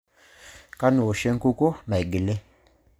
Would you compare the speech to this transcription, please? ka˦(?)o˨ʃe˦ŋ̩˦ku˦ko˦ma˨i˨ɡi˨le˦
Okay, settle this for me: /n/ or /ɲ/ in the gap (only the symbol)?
n